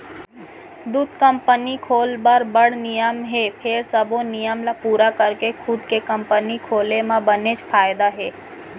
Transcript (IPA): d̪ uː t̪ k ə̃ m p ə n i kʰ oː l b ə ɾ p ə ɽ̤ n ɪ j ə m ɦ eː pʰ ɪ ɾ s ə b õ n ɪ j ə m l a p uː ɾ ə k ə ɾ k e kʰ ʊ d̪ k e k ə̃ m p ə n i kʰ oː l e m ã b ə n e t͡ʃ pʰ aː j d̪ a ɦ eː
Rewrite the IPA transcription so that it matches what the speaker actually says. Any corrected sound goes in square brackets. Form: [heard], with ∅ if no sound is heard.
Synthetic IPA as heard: d̪ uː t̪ k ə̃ m p ə n i kʰ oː l b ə ɾ [b] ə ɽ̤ n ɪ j ə m ɦ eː pʰ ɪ ɾ s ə b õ n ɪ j ə m l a p uː ɾ [a] k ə ɾ k e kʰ ʊ d̪ k e k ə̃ m p ə n i kʰ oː l e m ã b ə n e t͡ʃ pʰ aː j d̪ a ɦ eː